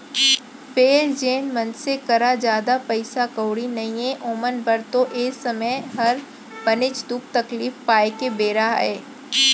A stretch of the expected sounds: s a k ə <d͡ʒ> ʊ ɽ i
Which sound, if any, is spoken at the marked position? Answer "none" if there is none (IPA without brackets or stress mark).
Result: none